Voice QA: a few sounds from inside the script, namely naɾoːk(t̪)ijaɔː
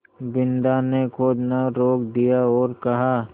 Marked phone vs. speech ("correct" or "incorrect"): incorrect